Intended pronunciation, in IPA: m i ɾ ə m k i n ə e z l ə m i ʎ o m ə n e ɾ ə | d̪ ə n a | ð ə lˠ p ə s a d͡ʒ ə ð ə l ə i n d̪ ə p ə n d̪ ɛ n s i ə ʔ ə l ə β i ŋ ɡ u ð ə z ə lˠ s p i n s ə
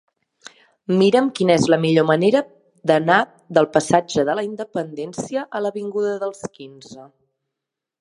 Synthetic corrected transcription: m i ɾ ə m k i n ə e z l ə m i ʎ o m ə n e ɾ ə | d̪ ə n a | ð ə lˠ p ə s a d͡ʒ ə ð ə l ə i n d̪ ə p ə n d̪ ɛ n s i ə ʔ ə l ə β i ŋ ɡ u ð ə ð ə lˠ s k i n z ə